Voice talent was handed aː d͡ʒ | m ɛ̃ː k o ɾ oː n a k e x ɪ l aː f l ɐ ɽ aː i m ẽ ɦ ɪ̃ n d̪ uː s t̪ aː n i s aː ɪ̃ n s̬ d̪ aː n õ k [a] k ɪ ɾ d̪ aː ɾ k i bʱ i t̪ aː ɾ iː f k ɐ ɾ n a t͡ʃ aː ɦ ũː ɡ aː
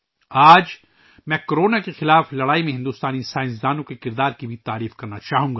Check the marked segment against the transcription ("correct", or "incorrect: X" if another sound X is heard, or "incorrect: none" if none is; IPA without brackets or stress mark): incorrect: e